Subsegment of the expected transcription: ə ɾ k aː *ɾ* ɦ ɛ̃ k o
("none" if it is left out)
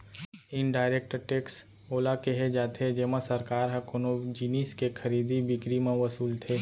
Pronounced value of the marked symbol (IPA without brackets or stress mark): ɾ